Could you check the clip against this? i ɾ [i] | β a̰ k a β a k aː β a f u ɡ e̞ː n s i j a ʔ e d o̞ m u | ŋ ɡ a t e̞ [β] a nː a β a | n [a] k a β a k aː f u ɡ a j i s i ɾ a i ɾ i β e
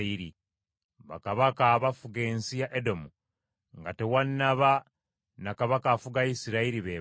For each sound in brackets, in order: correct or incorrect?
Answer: correct, incorrect, correct

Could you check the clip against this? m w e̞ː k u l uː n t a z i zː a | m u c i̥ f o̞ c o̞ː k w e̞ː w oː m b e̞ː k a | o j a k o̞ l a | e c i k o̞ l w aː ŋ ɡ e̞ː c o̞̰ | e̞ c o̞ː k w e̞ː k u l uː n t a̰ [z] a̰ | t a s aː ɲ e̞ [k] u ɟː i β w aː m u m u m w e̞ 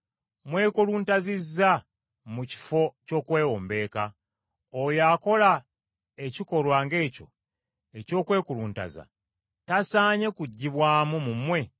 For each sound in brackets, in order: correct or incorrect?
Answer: correct, correct

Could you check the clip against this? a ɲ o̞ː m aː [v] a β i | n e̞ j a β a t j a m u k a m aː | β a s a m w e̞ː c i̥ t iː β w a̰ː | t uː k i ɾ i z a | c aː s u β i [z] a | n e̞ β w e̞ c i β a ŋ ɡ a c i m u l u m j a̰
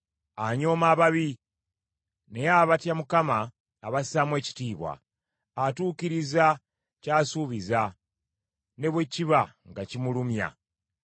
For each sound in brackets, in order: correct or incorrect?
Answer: incorrect, correct

